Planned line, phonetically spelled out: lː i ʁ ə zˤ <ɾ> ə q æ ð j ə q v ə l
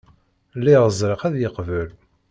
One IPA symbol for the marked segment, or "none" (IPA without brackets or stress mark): ɾ